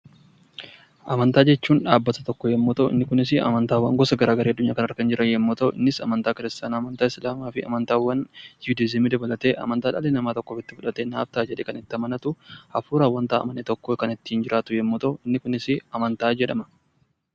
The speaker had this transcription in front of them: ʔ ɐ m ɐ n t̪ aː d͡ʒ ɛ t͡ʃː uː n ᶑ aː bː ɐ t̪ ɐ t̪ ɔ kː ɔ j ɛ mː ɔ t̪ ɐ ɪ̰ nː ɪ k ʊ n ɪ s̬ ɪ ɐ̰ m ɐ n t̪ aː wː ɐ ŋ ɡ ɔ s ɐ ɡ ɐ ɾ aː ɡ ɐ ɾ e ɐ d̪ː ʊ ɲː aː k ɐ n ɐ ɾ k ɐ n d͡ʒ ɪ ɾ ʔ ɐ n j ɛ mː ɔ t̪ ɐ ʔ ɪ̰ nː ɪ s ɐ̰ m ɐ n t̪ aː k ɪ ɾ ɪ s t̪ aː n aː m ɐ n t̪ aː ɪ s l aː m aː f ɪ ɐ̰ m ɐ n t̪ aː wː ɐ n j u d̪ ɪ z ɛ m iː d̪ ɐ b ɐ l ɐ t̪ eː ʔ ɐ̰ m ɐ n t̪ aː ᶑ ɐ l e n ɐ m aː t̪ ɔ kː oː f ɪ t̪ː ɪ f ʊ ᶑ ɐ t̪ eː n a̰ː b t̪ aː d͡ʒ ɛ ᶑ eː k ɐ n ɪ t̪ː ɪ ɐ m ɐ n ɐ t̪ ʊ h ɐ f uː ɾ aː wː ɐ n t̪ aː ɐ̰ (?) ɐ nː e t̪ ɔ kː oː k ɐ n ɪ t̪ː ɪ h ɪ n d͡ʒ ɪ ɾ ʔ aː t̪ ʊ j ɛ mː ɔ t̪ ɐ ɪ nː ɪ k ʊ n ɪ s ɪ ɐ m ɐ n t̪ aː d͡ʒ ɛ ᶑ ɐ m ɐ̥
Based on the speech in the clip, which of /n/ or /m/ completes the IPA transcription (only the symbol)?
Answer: m